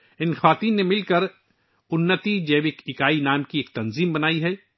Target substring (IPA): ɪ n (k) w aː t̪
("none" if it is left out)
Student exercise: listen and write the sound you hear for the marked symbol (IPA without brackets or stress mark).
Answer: x